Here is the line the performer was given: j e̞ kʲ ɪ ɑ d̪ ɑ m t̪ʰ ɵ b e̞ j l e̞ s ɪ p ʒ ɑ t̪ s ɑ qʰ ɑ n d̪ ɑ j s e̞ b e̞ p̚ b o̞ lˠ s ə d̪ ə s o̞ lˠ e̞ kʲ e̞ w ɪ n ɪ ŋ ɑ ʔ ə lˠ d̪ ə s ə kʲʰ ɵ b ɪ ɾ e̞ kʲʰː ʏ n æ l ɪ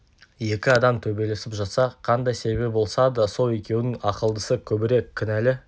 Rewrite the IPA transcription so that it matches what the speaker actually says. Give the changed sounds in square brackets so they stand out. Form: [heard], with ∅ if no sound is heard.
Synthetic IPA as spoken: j e̞ kʲ ɪ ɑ d̪ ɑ m t̪ʰ ɵ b e̞ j l e̞ s ɪ p ʒ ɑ t̪ s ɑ qʰ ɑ n d̪ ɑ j s e̞ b e̞ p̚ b o̞ lˠ s [ɑ] d̪ ə s o̞ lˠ e̞ kʲ e̞ w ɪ n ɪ ŋ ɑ [q] ə lˠ d̪ ə s ə kʲʰ ɵ b ɪ ɾ e̞ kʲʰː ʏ n æ l ɪ